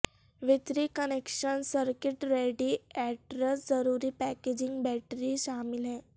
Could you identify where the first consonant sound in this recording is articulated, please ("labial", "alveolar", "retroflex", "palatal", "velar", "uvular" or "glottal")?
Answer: labial